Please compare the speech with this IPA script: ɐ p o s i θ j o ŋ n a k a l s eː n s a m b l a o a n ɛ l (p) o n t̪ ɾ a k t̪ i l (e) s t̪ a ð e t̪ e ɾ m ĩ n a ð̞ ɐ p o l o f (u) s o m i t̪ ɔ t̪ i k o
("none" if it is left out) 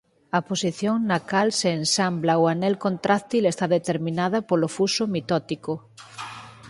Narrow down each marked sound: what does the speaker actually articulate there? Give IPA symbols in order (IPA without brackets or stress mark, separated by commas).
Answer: k, e, u